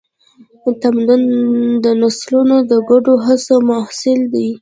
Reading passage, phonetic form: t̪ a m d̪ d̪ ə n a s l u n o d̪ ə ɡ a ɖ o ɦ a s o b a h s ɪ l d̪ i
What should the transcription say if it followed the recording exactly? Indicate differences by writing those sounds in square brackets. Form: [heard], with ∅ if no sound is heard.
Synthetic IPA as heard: t̪ a m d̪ d̪ ə n a s l u n o d̪ ə ɡ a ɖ o ɦ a s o [m] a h s ɪ l d̪ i